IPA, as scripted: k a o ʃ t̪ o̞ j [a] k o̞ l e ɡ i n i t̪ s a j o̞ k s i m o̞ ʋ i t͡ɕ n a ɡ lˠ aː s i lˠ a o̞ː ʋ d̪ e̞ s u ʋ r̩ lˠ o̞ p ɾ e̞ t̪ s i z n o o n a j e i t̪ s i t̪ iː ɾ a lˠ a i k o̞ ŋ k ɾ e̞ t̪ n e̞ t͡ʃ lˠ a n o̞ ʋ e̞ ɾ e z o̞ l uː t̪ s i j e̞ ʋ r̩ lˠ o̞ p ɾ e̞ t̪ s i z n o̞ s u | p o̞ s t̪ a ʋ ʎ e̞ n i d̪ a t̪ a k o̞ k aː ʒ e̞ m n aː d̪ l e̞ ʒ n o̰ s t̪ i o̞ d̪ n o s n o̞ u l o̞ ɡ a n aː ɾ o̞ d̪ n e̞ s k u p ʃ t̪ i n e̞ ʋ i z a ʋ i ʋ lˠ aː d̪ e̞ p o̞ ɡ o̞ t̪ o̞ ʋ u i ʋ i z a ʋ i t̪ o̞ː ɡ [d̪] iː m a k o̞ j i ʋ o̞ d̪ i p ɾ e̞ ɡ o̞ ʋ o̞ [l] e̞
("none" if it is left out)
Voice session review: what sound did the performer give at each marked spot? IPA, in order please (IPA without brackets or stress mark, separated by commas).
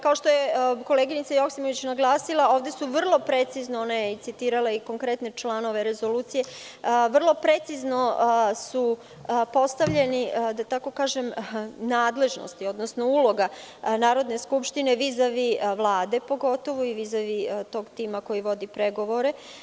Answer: e, t̪, ɾ